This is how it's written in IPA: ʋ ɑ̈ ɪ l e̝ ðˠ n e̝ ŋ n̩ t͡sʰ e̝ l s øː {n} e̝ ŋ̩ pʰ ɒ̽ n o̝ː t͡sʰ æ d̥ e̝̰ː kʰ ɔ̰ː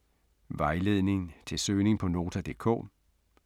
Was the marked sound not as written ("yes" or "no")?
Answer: no